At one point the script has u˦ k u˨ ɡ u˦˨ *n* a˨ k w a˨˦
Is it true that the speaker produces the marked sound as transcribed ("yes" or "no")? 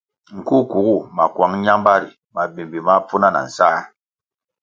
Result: no